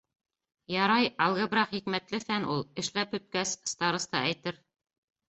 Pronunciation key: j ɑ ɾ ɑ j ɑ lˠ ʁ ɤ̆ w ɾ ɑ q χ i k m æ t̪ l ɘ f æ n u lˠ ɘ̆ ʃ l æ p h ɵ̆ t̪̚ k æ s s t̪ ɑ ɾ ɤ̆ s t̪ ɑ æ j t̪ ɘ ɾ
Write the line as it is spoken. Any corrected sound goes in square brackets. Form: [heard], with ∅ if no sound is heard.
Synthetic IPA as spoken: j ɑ ɾ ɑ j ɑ lˠ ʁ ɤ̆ [b] ɾ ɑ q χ i k m æ t̪ l ɘ f æ n u lˠ ɘ̆ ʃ l æ p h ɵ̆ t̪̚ k æ s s t̪ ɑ ɾ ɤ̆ s t̪ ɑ æ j t̪ ɘ ɾ